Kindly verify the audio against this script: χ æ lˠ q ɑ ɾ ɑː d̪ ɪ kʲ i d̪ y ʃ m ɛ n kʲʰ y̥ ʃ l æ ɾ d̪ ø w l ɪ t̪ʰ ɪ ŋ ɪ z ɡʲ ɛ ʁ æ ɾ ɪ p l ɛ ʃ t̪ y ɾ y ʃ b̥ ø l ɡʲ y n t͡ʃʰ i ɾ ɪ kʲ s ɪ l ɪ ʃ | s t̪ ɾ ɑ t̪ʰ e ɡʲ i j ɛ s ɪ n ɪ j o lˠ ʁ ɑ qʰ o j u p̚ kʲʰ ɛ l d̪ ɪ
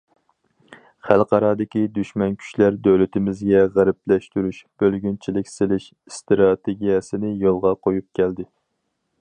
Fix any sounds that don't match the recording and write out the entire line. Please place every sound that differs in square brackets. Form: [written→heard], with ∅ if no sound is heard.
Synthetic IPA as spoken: χ æ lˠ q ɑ ɾ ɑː d̪ ɪ kʲ i d̪ y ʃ m ɛ n kʲʰ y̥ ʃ l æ ɾ d̪ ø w l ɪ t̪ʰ ɪ [ŋ→m] ɪ z ɡʲ ɛ ʁ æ ɾ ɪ p l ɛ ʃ t̪ y ɾ y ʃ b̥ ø l ɡʲ y n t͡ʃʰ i [ɾ→l] ɪ kʲ s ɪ l ɪ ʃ | s t̪ ɾ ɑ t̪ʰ e ɡʲ i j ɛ s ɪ n ɪ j o lˠ ʁ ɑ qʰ o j u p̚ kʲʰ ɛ l d̪ ɪ